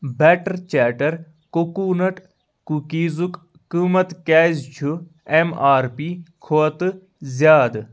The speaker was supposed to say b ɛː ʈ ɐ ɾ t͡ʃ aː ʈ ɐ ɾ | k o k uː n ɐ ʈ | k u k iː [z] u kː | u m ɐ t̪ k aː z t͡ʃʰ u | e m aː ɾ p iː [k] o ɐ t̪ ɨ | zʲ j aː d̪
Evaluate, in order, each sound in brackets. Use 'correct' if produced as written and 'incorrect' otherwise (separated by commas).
correct, incorrect